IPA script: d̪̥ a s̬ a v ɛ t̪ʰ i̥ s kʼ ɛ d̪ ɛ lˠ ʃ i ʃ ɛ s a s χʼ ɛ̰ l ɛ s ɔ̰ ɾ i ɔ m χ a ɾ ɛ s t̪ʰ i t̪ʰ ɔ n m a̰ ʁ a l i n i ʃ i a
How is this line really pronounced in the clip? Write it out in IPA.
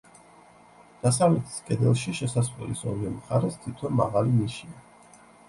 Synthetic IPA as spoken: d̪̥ a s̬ a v ɛ t̪ʰ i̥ s kʼ ɛ d̪ ɛ lˠ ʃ i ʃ ɛ s a s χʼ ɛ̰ l i s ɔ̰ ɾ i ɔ m χ a ɾ ɛ s t̪ʰ i t̪ʰ ɔ n m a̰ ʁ a l i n i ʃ i a